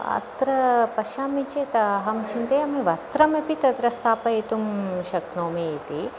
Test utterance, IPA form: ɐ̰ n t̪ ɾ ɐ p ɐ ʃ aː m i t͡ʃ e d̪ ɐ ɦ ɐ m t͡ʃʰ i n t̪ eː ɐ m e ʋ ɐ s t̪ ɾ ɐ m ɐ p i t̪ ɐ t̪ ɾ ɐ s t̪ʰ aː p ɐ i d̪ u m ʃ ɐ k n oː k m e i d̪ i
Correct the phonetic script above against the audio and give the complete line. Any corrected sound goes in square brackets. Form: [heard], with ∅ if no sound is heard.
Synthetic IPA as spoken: ɐ̰ [∅] t̪ ɾ ɐ p ɐ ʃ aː m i t͡ʃ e [t̪] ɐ ɦ ɐ m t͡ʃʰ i n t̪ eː ɐ m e ʋ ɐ s t̪ ɾ ɐ m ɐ p i t̪ ɐ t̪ ɾ ɐ s t̪ʰ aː p ɐ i [t̪] u m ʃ ɐ k n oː [∅] m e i [t̪] i